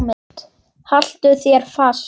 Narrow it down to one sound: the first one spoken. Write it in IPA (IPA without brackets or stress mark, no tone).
m